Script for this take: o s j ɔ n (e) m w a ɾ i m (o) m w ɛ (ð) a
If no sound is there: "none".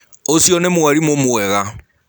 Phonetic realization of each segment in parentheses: e, o, ɣ

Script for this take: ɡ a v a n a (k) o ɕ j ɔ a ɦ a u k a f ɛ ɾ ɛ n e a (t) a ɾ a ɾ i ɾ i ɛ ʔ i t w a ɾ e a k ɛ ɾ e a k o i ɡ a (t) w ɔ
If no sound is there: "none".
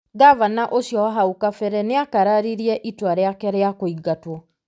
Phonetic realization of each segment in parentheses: ʔ, k, t

